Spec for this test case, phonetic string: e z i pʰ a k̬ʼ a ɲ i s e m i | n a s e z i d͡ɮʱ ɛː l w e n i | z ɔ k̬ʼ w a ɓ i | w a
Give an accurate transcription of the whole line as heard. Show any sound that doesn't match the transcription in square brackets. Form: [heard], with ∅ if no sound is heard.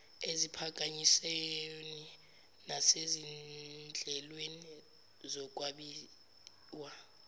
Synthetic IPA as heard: e z i pʰ a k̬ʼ a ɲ i s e [n] i | n a s e z i d͡ɮʱ [ɛ] l w e n i | z ɔ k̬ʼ w a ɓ i | w a